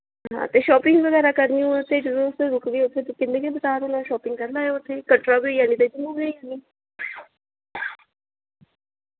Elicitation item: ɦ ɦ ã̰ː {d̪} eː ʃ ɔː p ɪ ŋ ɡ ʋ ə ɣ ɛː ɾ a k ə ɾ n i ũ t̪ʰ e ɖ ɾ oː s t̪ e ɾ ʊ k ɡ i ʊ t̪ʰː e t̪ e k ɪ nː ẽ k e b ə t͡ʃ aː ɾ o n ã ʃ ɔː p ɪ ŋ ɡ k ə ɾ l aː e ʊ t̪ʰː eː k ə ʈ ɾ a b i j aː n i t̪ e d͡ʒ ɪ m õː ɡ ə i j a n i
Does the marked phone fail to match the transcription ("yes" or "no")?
yes